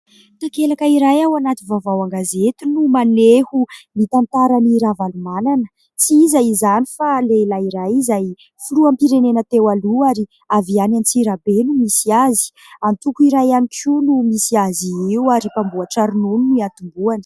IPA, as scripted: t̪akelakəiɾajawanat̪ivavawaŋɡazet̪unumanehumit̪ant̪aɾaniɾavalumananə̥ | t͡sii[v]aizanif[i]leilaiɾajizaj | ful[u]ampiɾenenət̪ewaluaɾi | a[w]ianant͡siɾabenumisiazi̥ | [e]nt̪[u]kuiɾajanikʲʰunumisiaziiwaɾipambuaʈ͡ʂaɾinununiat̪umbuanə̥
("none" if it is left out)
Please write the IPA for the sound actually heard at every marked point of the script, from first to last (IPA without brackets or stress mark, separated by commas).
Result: z, a, u, v, a, u